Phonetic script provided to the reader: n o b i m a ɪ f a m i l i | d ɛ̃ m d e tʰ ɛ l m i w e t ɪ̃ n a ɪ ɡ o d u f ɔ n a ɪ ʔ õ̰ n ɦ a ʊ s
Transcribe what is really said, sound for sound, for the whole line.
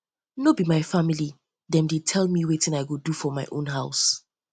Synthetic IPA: n o b i m a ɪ f a m i l i | d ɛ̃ m d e tʰ ɛ l m i w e t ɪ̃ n a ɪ ɡ o d u f ɔ m a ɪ ʔ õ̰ n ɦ a ʊ s